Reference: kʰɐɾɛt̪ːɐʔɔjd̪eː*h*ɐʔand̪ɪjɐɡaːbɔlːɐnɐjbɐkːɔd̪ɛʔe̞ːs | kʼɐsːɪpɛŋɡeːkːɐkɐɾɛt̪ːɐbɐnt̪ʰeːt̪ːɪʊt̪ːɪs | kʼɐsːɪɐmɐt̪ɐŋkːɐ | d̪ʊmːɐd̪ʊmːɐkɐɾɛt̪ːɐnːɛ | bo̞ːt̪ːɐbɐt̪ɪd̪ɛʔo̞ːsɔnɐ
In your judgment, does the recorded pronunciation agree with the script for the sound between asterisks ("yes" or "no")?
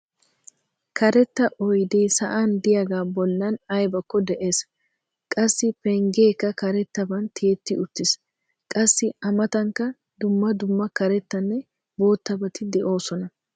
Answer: no